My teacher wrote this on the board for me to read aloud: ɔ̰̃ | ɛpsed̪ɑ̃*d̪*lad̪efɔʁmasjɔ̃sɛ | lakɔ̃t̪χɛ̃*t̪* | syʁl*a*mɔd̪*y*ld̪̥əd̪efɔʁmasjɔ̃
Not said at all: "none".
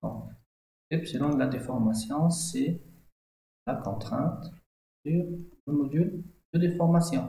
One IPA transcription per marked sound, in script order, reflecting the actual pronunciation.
d̪, t̪, ə, y

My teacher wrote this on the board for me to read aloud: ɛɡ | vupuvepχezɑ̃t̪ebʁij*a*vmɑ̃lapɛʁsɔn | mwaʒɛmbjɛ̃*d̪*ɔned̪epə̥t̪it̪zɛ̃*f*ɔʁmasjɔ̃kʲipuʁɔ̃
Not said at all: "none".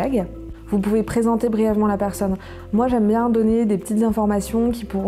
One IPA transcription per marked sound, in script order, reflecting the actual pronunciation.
ɛ, d̪, f

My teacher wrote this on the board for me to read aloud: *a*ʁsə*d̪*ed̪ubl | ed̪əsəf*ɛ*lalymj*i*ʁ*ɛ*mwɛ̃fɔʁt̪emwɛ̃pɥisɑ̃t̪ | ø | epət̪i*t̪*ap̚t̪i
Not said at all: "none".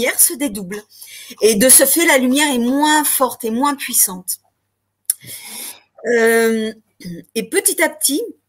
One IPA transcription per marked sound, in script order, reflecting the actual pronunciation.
ɛ, d̪, ɛ, ɛ, ɛ, t̪

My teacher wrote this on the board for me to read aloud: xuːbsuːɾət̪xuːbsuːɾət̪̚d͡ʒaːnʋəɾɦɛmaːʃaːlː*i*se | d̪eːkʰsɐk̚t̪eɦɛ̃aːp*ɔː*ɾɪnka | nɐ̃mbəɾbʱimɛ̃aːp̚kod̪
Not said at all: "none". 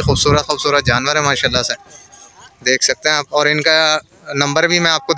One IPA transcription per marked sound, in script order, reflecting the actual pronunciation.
a, ɔː

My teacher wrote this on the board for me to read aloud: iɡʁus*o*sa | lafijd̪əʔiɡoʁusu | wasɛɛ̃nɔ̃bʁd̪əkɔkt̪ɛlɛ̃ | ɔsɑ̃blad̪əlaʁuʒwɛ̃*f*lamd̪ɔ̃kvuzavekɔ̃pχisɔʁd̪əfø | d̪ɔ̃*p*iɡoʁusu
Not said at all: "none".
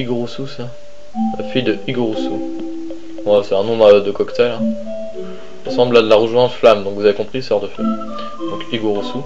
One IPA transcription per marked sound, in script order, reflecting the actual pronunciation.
u, f, k

